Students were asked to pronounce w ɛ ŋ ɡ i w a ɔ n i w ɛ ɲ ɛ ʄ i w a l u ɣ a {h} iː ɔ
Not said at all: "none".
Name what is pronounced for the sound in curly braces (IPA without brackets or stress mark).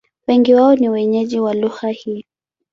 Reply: h